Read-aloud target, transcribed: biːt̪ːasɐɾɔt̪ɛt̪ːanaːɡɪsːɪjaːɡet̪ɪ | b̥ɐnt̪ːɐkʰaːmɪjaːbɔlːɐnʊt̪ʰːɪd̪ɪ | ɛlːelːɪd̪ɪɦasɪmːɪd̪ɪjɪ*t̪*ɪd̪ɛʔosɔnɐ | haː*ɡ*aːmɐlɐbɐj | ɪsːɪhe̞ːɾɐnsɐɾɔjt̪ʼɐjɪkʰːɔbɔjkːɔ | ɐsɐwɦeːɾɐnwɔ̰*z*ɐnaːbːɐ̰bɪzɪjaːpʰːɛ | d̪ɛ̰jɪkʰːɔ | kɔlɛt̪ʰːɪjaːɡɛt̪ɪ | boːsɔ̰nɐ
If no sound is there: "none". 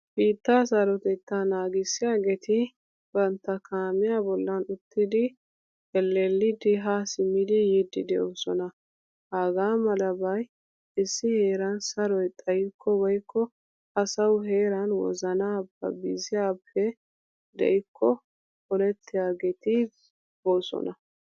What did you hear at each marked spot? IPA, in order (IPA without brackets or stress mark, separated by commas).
d̪, ɡ, z